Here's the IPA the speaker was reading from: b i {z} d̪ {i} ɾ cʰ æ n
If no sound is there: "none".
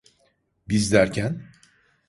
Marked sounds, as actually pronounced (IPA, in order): z, æ

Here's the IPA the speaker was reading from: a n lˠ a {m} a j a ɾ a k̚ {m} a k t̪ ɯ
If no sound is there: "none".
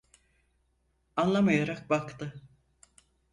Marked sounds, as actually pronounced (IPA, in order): m, b

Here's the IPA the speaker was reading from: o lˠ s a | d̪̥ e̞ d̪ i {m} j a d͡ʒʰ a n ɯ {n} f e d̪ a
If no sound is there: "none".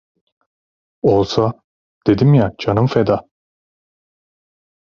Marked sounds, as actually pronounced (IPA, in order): m, m

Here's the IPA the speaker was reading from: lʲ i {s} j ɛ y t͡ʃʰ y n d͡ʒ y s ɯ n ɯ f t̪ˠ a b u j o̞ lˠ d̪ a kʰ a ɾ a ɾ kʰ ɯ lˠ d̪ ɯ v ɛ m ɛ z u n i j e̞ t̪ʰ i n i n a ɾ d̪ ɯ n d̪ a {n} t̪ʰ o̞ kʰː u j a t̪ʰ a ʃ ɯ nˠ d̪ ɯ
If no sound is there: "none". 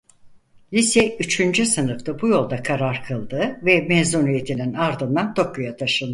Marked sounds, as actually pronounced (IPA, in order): s, n

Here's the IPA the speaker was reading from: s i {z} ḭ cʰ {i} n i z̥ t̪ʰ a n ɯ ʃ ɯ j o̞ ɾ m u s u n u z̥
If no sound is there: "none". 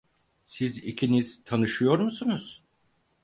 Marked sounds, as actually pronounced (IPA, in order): z, i

